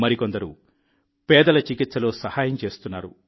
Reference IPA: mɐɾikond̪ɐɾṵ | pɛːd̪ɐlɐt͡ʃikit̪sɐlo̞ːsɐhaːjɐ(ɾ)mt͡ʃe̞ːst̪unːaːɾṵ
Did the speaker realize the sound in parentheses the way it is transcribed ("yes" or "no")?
no